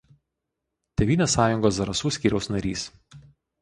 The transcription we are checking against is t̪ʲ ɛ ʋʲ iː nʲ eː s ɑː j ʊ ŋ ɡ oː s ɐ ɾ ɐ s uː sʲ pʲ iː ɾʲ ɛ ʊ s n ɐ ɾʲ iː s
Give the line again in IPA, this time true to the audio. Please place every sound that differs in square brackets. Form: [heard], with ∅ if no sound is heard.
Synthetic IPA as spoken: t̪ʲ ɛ ʋʲ iː nʲ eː s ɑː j ʊ ŋ ɡ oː s ɐ ɾ ɐ s uː sʲ [kʲ] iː ɾʲ ɛ ʊ s n ɐ ɾʲ iː s